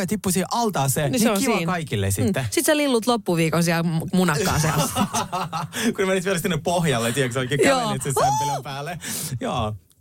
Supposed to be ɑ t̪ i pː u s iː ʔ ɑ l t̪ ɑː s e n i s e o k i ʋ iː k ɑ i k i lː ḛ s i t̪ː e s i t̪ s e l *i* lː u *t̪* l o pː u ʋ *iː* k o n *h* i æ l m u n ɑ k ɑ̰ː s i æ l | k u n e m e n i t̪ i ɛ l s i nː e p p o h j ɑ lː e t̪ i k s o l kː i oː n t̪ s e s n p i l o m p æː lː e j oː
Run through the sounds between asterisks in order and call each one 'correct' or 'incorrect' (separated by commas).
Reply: correct, correct, correct, incorrect